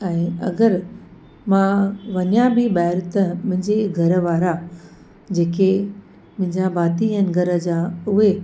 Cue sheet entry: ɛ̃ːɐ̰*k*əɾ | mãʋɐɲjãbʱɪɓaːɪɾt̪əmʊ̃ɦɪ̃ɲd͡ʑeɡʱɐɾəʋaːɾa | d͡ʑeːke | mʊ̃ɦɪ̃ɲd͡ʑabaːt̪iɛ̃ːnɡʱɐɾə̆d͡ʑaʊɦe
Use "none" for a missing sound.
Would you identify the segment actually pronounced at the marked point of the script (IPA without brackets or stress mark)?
ɡ